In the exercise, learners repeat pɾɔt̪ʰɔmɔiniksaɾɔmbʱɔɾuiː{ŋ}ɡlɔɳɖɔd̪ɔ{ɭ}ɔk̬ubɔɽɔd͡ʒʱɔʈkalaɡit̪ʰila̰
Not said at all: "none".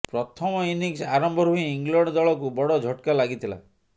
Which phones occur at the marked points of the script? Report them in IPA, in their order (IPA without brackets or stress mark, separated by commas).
ŋ, ɭ